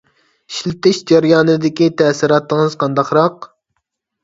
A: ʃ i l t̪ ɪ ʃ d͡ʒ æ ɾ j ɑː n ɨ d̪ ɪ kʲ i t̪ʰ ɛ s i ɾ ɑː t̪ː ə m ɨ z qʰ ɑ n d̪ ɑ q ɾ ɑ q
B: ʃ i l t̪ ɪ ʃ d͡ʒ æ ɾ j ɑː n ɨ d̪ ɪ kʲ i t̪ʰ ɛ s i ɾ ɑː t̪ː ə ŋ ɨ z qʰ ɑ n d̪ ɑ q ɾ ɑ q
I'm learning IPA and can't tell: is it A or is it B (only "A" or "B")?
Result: B